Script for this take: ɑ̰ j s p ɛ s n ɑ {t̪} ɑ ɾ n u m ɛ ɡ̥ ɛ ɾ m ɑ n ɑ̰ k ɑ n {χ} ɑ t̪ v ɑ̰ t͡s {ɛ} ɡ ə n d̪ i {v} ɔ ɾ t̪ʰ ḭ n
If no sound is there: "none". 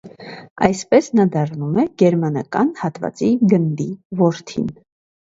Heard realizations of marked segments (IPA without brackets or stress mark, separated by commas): d̪, h, i, v